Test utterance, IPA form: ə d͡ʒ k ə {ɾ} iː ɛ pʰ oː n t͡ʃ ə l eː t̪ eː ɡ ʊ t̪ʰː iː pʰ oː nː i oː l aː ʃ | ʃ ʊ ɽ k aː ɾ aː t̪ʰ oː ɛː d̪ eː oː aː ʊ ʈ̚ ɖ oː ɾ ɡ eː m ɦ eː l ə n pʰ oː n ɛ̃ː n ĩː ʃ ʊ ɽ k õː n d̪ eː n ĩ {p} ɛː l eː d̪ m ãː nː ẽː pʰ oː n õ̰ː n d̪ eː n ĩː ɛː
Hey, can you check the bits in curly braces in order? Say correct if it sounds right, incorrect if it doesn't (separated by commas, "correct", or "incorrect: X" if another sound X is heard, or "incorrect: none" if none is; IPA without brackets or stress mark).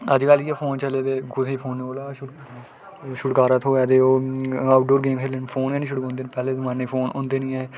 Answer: incorrect: l, correct